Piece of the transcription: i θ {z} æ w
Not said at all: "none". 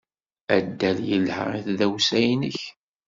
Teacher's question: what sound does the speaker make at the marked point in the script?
ð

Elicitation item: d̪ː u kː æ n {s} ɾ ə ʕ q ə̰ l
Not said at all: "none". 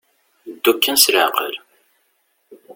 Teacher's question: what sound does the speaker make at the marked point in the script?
s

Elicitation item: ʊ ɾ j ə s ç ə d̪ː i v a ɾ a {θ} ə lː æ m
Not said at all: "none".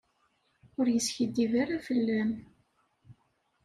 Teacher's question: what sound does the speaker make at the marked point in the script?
f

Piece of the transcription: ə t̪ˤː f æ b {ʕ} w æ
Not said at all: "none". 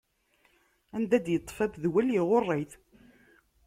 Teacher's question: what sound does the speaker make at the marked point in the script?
ð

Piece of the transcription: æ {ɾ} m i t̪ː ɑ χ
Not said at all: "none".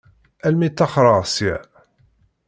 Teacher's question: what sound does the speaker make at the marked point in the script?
l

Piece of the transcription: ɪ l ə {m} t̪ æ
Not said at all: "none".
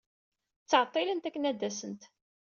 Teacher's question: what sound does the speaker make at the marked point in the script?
n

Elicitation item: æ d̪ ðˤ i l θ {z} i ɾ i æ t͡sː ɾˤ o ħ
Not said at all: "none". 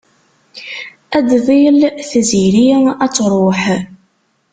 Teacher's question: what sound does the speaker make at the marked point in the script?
z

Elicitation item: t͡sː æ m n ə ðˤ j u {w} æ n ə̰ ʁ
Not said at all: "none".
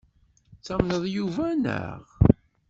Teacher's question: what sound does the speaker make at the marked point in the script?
v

